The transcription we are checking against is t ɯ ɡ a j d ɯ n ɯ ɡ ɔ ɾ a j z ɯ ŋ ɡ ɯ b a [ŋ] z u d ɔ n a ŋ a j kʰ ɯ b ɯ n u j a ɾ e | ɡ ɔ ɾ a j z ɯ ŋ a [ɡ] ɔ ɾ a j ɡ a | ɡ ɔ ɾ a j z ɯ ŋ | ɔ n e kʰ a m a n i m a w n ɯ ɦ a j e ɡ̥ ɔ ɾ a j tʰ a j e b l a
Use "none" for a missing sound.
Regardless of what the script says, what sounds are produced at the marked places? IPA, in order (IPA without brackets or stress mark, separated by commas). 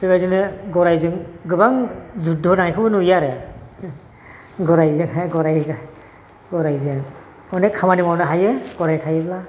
ŋ, ɡ